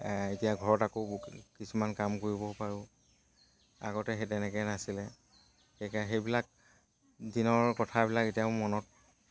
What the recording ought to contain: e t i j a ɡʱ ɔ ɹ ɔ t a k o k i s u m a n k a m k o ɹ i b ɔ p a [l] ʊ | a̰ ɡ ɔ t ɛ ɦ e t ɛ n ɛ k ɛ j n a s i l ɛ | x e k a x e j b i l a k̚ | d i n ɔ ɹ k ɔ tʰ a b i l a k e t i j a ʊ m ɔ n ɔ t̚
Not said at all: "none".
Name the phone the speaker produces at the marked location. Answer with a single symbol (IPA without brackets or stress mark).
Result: ɹ